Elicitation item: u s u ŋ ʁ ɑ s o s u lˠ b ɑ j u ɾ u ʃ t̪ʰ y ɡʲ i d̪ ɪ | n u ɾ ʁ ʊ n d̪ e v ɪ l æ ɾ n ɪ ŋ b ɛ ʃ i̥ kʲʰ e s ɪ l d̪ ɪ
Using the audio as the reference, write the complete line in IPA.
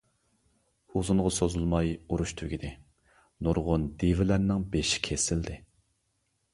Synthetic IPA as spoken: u z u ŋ ʁ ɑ s o z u lˠ m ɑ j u ɾ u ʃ t̪ʰ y ɡʲ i d̪ ɪ | n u ɾ ʁ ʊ n d̪ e v ɪ l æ ɾ n ɪ ŋ b e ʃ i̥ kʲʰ e s ɪ l d̪ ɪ